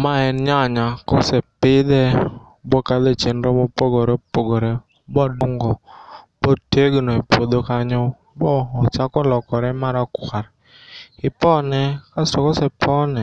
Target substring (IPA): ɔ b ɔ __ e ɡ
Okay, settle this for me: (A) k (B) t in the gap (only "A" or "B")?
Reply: B